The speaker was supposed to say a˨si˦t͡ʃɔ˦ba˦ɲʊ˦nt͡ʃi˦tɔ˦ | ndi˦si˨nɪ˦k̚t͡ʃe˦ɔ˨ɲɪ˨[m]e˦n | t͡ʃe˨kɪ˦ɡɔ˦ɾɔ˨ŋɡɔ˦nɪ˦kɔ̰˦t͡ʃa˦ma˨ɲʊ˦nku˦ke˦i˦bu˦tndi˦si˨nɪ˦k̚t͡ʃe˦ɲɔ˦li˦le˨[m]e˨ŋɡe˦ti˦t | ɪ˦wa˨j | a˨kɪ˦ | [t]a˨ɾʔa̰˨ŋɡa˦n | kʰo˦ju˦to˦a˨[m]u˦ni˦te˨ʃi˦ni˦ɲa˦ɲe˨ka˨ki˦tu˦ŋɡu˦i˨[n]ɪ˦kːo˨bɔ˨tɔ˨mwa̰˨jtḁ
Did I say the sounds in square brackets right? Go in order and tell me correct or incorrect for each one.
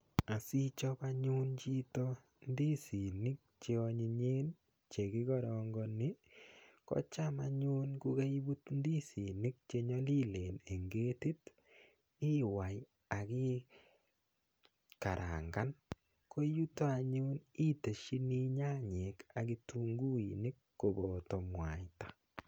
incorrect: ɲ, incorrect: n, incorrect: k, incorrect: ɲ, correct

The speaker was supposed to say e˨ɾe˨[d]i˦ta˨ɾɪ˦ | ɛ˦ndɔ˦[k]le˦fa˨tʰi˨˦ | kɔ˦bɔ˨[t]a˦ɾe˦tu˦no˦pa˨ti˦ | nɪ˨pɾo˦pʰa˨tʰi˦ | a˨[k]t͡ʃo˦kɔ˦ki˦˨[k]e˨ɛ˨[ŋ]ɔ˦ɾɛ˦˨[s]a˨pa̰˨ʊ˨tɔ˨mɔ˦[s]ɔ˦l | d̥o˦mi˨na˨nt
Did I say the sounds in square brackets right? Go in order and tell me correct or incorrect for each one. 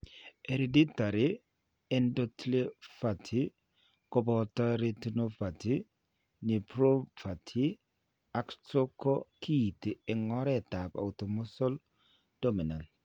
correct, incorrect: t, correct, correct, incorrect: t, correct, incorrect: t, correct

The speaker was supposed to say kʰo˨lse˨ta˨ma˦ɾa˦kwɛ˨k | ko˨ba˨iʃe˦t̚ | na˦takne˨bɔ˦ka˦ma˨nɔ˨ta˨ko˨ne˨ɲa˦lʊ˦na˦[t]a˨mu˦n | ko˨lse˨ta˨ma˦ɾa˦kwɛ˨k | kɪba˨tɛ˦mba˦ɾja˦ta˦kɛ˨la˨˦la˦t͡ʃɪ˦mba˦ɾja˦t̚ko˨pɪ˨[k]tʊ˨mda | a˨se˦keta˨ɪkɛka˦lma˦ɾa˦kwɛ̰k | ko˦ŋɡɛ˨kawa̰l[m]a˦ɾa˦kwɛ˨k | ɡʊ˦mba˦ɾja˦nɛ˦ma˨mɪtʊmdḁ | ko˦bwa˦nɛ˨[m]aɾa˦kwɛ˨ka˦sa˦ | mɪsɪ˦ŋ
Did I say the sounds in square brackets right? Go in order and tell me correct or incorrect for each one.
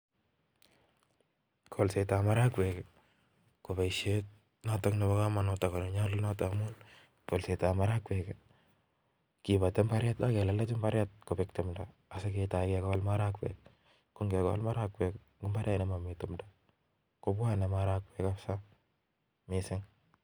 correct, correct, correct, correct

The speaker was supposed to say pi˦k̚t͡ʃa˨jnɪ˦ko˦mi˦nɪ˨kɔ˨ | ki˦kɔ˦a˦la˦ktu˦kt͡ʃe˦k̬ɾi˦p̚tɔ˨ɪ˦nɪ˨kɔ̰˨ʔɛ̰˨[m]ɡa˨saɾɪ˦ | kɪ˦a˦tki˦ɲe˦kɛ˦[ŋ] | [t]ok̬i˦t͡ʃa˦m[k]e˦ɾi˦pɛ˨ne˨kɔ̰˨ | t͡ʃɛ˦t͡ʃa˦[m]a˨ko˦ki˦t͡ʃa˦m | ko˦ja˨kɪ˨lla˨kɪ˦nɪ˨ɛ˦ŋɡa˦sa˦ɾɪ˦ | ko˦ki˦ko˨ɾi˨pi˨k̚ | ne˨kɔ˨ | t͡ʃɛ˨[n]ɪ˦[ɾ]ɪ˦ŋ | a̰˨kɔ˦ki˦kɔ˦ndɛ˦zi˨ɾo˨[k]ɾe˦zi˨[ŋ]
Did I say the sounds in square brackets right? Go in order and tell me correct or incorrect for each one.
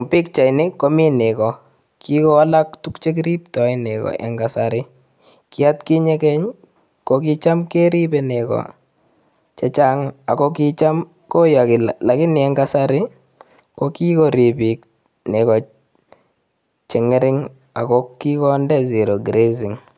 incorrect: ŋ, incorrect: ɲ, incorrect: k, correct, incorrect: ŋ, incorrect: ŋ, correct, incorrect: ɡ, correct

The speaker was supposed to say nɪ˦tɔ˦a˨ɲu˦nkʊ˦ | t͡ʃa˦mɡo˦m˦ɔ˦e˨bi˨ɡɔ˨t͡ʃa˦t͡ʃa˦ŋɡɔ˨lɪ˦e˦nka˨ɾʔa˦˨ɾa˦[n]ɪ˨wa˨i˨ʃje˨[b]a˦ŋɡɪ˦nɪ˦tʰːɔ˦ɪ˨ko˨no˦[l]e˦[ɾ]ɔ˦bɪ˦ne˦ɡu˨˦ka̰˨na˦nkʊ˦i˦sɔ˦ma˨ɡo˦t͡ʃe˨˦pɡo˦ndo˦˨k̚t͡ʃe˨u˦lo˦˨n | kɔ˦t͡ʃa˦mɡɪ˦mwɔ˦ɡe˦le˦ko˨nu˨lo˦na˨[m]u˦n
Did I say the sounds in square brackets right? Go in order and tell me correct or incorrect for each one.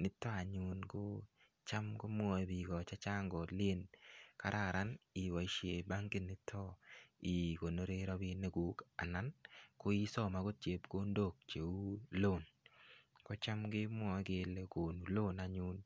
correct, correct, incorrect: ɾ, correct, incorrect: ɲ

